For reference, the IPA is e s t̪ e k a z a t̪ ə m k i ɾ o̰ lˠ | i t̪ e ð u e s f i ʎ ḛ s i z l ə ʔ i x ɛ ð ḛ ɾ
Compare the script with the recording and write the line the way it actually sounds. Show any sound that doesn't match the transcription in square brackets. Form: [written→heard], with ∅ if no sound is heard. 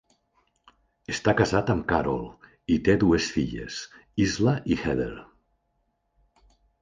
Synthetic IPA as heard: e s t̪ [e→a] k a z a t̪ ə m k [i→a] ɾ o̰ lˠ | i t̪ e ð u e s f i ʎ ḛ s i z l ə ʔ i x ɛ ð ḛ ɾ